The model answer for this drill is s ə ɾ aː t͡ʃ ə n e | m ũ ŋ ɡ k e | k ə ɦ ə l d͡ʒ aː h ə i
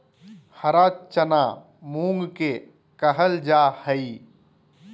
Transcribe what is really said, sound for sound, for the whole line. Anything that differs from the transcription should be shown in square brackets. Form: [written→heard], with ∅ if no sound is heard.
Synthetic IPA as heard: [s→h] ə ɾ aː t͡ʃ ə n [e→a] | m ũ ŋ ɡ k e | k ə ɦ ə l d͡ʒ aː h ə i